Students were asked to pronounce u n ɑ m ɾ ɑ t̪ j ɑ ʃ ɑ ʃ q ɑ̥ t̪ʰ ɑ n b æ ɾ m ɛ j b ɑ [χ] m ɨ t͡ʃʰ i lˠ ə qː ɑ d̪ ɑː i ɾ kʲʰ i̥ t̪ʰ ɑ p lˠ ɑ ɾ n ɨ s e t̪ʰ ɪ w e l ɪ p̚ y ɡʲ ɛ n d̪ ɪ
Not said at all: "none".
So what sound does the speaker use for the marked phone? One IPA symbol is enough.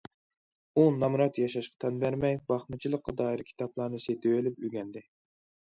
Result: χ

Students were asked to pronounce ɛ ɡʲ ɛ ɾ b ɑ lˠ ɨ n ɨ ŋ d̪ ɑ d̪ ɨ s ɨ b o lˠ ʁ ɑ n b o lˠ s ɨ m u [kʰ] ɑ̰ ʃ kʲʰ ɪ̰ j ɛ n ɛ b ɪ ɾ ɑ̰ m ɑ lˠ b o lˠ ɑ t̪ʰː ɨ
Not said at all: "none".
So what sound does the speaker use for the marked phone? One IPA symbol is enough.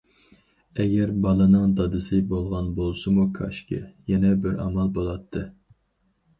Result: kʰ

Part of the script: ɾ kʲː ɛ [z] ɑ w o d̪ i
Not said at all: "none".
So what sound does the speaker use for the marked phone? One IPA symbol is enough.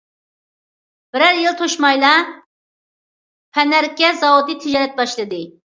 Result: z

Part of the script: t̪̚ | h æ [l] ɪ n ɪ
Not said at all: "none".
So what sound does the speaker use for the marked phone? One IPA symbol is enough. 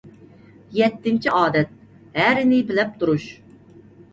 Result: ɾ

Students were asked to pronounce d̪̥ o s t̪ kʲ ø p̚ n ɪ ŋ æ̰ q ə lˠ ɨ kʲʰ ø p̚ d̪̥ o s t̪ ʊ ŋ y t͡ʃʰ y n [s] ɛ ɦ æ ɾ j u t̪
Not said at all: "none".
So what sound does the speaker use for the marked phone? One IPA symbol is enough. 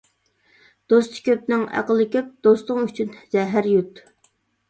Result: z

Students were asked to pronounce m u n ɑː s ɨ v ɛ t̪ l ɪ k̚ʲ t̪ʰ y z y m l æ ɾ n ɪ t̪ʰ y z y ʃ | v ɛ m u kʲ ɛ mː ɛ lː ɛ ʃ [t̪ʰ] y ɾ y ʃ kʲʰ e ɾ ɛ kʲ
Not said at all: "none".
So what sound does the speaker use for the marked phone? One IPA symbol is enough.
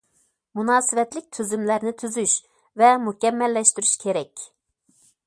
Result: t̪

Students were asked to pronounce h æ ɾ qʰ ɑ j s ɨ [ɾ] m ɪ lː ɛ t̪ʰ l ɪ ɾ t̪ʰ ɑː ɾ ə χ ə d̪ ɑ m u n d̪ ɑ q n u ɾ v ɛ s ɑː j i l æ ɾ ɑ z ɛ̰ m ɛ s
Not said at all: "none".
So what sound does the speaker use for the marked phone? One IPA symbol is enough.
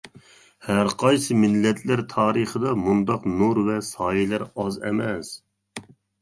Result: none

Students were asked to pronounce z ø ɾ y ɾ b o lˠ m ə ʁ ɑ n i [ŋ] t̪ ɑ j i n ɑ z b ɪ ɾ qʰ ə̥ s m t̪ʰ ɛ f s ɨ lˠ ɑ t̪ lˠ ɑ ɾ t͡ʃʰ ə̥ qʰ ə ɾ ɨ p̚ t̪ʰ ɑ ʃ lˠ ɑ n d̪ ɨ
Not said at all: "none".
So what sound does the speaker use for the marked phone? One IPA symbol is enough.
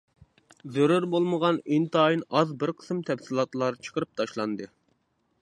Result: n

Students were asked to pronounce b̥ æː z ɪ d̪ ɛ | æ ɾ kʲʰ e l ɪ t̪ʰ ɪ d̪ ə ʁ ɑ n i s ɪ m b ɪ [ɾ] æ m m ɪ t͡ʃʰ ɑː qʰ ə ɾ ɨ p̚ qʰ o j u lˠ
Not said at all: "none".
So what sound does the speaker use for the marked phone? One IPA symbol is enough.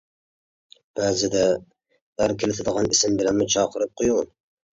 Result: l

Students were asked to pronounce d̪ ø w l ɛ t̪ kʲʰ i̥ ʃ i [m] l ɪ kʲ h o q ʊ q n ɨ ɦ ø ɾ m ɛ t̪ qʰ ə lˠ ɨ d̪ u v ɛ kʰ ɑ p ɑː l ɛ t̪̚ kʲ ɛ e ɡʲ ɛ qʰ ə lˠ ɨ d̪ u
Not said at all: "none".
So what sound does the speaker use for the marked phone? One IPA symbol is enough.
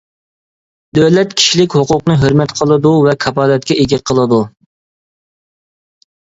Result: none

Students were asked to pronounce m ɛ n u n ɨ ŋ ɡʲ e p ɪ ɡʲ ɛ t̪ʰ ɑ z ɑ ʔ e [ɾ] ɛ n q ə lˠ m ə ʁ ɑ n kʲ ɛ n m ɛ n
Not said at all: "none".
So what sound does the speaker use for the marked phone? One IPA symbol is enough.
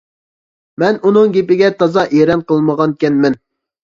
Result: ɾ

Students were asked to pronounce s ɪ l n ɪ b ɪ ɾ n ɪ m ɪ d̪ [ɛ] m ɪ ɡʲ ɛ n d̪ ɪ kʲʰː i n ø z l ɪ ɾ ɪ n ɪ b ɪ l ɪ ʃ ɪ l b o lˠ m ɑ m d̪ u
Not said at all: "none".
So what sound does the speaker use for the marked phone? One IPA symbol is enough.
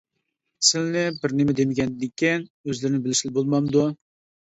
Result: e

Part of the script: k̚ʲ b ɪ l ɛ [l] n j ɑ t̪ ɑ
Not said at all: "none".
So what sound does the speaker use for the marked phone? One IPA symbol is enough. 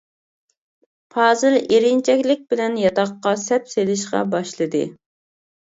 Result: none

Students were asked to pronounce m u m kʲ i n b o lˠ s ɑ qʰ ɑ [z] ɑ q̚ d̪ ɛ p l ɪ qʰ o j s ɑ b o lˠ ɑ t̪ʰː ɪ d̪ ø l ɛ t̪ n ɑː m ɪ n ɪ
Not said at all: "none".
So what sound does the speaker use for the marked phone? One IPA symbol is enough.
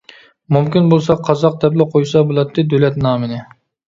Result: z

